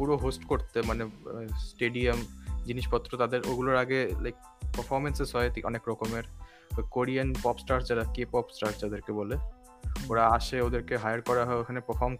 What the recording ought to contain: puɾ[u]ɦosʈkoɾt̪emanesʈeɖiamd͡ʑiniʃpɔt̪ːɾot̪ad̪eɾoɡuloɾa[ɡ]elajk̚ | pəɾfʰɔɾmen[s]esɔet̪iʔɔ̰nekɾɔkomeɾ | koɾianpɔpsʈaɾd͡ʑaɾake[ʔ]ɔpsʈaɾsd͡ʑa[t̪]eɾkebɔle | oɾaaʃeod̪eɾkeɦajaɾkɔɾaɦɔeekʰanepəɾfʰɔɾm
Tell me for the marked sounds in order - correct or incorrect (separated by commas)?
incorrect, correct, correct, incorrect, incorrect